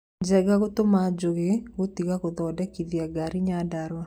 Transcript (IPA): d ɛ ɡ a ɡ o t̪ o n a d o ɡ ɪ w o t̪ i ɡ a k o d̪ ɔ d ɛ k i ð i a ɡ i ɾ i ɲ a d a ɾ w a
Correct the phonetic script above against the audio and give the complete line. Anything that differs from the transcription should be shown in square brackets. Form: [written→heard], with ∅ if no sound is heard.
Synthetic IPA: [d→d͡ʒ] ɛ ɡ a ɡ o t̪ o [n→m] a [d→d͡ʒ] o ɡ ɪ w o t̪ i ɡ a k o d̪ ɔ d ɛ k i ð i a ɡ [i→a] ɾ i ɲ a d a ɾ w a